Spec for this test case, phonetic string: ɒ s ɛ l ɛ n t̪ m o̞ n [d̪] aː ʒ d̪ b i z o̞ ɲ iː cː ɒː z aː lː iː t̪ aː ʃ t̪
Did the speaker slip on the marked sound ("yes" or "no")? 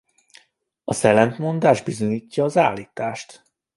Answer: no